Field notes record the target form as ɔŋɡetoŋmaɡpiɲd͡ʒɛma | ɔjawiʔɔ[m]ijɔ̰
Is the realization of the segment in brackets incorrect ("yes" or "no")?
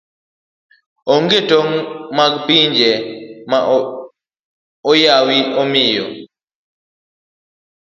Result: no